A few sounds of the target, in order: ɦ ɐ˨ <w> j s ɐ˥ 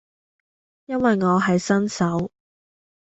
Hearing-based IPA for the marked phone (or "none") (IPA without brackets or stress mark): none